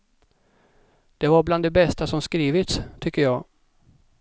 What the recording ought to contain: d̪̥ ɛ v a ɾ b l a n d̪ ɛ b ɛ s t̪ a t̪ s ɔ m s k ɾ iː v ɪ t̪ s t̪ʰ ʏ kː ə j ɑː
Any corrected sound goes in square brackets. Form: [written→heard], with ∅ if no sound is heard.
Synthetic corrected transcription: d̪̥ ɛ v a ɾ b l a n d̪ ɛ b ɛ s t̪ a [t̪→∅] s ɔ m s k ɾ iː v ɪ t̪ s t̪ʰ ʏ kː ə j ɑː